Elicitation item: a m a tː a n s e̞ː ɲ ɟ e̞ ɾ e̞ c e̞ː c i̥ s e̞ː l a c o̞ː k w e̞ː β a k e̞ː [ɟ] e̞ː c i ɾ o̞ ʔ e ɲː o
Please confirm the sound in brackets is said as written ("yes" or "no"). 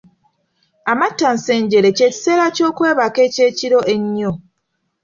no